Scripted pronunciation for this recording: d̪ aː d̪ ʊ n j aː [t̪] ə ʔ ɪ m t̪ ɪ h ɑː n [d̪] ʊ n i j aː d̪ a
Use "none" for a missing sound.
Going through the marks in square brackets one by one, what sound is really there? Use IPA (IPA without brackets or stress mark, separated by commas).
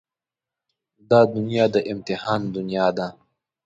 d̪, d̪